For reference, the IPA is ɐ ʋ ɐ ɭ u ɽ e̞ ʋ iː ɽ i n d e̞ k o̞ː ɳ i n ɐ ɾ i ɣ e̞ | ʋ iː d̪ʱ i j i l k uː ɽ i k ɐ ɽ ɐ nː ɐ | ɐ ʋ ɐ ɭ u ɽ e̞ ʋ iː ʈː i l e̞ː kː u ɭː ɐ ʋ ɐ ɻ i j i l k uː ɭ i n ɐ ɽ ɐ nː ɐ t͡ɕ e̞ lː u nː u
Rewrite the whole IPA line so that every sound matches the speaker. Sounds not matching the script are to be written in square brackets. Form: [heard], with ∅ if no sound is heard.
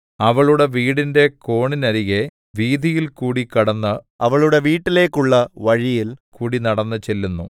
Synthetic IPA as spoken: ɐ ʋ ɐ ɭ u ɽ e̞ ʋ iː ɽ i n d e̞ k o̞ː ɳ i n ɐ ɾ i ɣ e̞ | ʋ iː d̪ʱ i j i l k uː ɽ i k ɐ ɽ ɐ nː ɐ | ɐ ʋ ɐ ɭ u ɽ e̞ ʋ iː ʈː i l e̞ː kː u ɭː ɐ ʋ ɐ ɻ i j i l k uː [ɽ] i n ɐ ɽ ɐ nː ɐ t͡ɕ e̞ lː u nː u